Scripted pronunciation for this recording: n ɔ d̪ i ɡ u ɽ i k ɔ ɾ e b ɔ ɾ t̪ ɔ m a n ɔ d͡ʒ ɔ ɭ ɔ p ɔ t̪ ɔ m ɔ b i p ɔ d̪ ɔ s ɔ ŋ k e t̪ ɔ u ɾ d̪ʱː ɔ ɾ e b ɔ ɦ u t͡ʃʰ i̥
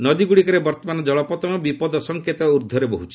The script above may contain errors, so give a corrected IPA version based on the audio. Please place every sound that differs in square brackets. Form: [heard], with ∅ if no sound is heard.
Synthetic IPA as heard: n ɔ d̪ i ɡ u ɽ i k ɔ ɾ e b ɔ ɾ t̪ ɔ m a n ɔ d͡ʒ ɔ ɭ ɔ p ɔ t̪ ɔ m ɔ b i p ɔ d̪ ɔ s ɔ ŋ k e t̪ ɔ u ɾ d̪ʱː ɔ ɾ e b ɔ ɦ u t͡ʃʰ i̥

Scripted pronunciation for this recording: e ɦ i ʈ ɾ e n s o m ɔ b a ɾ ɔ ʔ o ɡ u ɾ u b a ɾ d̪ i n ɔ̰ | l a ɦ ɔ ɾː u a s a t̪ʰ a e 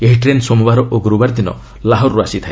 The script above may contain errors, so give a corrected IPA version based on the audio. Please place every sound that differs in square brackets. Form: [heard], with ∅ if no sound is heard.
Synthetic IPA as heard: e ɦ i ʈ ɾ e n s o m [u] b a ɾ ɔ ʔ o ɡ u ɾ u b a ɾ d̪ i n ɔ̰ | l a ɦ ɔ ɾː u a s [i] t̪ʰ a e

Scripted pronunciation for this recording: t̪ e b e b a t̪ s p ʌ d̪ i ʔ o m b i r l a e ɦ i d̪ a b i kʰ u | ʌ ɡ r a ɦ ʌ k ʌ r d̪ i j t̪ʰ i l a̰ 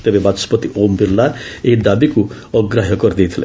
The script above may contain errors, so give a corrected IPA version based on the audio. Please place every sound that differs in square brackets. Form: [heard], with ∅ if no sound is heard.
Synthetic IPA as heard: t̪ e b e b a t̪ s p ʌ [t̪] i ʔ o m b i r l a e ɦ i d̪ a b i [k] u | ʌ ɡ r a ɦ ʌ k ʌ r d̪ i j t̪ʰ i l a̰

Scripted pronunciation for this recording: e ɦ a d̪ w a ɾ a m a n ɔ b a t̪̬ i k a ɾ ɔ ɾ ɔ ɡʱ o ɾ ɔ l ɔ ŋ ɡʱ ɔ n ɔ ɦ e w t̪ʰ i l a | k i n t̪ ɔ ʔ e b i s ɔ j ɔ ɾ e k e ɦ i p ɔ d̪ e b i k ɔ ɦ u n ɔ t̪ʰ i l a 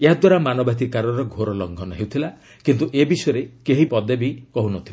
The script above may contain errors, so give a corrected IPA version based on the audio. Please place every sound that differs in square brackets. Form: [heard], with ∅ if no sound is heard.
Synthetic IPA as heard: e ɦ a d̪ w a ɾ a m a n ɔ b a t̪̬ i k a ɾ ɔ ɾ ɔ ɡʱ o ɾ ɔ l ɔ ŋ ɡʱ ɔ n ɔ ɦ e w t̪ʰ i l a | k i n t̪ [u] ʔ e b i s ɔ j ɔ ɾ e k e ɦ i p ɔ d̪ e b i k ɔ ɦ u n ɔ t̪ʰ i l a

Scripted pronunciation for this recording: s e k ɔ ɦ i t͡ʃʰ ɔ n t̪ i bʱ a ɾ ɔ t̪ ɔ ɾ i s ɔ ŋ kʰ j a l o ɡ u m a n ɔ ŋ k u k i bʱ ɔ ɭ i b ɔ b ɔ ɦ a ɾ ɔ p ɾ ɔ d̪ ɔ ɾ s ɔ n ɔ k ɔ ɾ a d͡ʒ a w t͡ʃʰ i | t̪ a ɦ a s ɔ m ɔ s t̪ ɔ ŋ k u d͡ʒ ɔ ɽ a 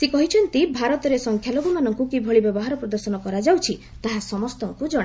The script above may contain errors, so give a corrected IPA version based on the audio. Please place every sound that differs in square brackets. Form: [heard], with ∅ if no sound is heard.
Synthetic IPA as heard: s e k ɔ ɦ i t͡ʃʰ ɔ n t̪ i bʱ a ɾ ɔ t̪ ɔ ɾ [e] s ɔ ŋ kʰ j a l o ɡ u m a n ɔ ŋ k u k i bʱ ɔ ɭ i b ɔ b ɔ ɦ a ɾ ɔ p ɾ ɔ d̪ ɔ ɾ s ɔ n ɔ k ɔ ɾ a d͡ʒ a w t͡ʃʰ i | t̪ a ɦ a s ɔ m ɔ s t̪ ɔ ŋ k u d͡ʒ ɔ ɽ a

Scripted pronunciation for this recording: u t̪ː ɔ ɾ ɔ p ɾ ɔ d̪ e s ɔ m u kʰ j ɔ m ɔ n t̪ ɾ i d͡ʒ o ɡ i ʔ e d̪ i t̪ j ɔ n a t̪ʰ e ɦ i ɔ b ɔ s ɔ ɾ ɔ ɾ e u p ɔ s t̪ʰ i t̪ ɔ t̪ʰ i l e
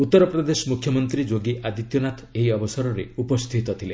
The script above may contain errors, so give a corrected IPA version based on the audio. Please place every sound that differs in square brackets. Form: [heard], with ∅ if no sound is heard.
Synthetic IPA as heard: u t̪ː ɔ ɾ ɔ p ɾ ɔ d̪ e s ɔ m u kʰ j ɔ m ɔ n t̪ ɾ i d͡ʒ o ɡ i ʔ [a] d̪ i t̪ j ɔ n a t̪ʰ e ɦ i ɔ b ɔ s ɔ ɾ ɔ ɾ e u p ɔ s t̪ʰ i t̪ ɔ t̪ʰ i l e

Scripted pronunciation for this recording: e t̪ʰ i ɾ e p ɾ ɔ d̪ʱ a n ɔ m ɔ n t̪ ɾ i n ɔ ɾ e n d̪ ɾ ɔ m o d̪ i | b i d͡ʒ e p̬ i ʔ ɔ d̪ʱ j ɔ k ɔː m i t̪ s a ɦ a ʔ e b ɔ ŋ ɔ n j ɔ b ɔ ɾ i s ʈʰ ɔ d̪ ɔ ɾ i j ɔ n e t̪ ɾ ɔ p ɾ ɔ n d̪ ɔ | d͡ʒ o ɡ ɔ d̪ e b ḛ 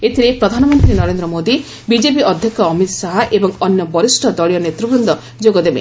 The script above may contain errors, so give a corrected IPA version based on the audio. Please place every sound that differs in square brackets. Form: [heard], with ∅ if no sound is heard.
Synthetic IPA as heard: e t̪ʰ i ɾ e p ɾ ɔ d̪ʱ a n ɔ m ɔ n t̪ ɾ i n ɔ ɾ e n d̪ ɾ ɔ m o d̪ i | b i d͡ʒ e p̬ i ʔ ɔ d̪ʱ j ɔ k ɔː m i t̪ s a ɦ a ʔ e b ɔ ŋ ɔ n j ɔ b ɔ ɾ i s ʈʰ ɔ d̪ ɔ [ɭ] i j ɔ n e t̪ ɾ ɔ [b] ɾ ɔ n d̪ ɔ | d͡ʒ o ɡ ɔ d̪ e b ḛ

